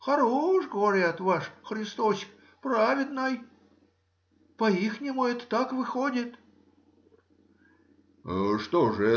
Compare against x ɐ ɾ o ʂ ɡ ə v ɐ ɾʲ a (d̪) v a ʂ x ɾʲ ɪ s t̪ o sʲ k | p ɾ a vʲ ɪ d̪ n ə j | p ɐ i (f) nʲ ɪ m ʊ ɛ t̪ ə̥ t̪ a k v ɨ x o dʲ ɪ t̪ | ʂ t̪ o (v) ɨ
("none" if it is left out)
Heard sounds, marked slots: t̪, x, ʐ

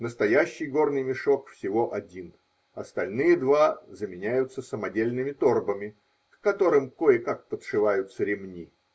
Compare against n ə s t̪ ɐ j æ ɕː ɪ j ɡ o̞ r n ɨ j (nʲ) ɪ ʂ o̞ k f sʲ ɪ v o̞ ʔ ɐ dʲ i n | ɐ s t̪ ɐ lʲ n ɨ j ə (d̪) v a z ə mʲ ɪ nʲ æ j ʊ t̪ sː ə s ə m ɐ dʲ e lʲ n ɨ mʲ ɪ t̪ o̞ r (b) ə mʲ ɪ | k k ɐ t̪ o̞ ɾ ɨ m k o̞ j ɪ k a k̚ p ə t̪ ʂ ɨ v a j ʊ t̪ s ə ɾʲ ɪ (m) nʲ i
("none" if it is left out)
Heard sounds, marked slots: mʲ, d̪, b, m

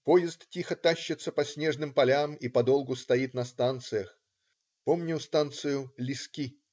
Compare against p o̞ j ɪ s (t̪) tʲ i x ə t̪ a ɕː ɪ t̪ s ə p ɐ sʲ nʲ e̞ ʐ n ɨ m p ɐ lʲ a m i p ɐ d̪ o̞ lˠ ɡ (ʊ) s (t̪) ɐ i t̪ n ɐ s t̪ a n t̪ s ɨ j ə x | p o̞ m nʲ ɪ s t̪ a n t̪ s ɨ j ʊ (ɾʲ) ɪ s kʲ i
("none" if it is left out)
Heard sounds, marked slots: t̪, ʊ, t̪, lʲ

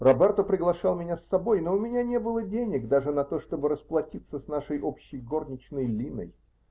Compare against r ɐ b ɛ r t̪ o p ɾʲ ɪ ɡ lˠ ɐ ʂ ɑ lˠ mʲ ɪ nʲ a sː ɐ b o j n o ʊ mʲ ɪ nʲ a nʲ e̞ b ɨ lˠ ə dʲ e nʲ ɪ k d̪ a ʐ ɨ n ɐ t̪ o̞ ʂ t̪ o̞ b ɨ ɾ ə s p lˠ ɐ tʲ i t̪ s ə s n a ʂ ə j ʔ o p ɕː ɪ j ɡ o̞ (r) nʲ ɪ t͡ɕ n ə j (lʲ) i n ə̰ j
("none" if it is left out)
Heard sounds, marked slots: r, lʲ

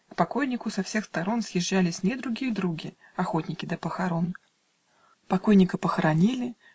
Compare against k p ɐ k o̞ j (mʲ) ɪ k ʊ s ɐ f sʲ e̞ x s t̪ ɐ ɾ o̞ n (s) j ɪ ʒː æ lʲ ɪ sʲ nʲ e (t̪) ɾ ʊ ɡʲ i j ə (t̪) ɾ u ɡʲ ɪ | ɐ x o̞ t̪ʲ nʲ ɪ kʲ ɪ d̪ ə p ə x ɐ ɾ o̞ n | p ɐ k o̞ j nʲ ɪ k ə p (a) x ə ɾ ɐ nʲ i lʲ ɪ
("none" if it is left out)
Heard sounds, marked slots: nʲ, s, d̪, d̪, ə

